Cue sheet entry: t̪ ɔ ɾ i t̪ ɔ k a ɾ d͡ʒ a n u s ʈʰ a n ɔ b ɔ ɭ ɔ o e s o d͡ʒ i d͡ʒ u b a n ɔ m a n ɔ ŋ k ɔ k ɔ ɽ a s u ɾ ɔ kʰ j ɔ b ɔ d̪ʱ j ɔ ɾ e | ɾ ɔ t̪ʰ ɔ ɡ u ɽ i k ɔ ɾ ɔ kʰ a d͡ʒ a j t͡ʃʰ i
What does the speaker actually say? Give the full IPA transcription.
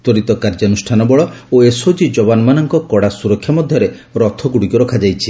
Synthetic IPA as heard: t̪ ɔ ɾ i t̪ ɔ k a ɾ d͡ʒ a n u s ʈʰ a n ɔ b ɔ ɭ ɔ o e s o d͡ʒ i d͡ʒ ɔ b a n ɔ m a n ɔ ŋ k ɔ k ɔ ɽ a s u ɾ ɔ kʰ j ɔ m ɔ d̪ʱ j ɔ ɾ e | ɾ ɔ t̪ʰ ɔ ɡ u ɽ i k ɔ ɾ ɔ kʰ a d͡ʒ a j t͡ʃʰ i